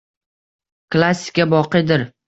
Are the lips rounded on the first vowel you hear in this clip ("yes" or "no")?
no